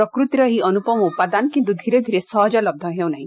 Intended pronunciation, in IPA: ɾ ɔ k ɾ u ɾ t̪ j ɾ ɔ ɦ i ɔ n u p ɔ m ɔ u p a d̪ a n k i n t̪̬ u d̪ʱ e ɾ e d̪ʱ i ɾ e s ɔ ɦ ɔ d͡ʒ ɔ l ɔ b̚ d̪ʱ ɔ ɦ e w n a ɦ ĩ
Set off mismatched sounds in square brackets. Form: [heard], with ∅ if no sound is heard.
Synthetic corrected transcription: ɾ ɔ k ɾ u [∅] t̪ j ɾ ɔ ɦ i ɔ n u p ɔ m ɔ u p a d̪ a n k i n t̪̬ u d̪ʱ [i] ɾ e d̪ʱ i ɾ e s ɔ ɦ ɔ d͡ʒ ɔ l ɔ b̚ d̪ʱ ɔ ɦ e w n a ɦ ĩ